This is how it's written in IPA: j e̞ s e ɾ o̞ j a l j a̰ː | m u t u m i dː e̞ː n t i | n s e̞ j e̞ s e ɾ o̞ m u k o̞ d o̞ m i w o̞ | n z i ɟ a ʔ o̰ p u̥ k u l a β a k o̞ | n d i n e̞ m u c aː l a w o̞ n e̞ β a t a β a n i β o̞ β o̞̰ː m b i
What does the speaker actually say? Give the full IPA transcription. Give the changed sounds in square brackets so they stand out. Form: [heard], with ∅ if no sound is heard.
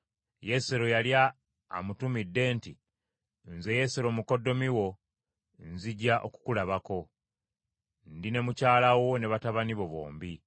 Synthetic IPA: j e̞ s e ɾ o̞ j a l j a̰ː | m u t u m i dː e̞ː n t i | n [z] e̞ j e̞ s e ɾ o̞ m u k o̞ d o̞ m i w o̞ | n z i ɟ a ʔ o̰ [k] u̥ k u l a β a k o̞ | n d i n e̞ m u c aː l a w o̞ n e̞ β a t a β a n i β o̞ β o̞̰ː m b i